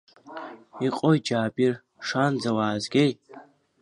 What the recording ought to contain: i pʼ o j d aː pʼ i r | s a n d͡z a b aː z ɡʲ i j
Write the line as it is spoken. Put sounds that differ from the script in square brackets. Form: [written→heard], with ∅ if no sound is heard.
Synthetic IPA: i [pʼ→qʼ] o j [d→d͡ʒ] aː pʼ i r | [s→ʂ] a n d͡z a [b→w] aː z ɡʲ [i→e] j

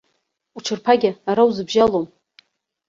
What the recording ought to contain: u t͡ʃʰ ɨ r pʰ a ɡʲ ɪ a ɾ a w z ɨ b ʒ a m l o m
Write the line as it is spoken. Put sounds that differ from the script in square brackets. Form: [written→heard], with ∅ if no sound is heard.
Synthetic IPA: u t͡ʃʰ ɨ r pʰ a ɡʲ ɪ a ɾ a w z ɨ b ʒ a [m→∅] l o m

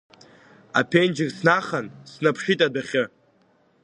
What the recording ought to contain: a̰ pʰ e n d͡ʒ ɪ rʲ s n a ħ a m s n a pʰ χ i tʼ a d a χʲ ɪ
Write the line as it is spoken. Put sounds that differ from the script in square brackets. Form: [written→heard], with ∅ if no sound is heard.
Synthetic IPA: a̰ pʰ e n d͡ʒ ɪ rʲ s n a [ħ→χ] a [m→n] s n a pʰ [χ→ʂ] i tʼ a d a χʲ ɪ

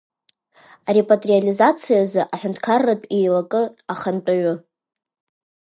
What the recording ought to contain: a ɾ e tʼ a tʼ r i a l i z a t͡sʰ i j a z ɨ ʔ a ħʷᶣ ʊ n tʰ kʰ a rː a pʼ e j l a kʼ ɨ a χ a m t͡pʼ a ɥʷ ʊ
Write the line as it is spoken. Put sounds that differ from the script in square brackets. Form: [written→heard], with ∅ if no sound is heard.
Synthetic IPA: a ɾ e [tʼ→pʼ] a tʼ r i a l i z a t͡sʰ i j a z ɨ ʔ a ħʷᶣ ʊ n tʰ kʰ a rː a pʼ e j l a kʼ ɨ a χ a [m→n] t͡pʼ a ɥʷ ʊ

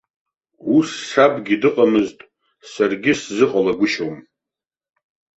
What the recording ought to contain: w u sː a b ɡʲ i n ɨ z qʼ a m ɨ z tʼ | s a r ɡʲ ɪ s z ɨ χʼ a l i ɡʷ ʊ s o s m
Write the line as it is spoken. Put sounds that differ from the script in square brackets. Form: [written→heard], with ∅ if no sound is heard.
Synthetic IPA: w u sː a b ɡʲ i [n→d] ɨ [z→∅] qʼ a m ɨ z tʼ | s a r ɡʲ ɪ s z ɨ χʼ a l [i→a] ɡʷ ʊ [s→ʃ] o [s→∅] m

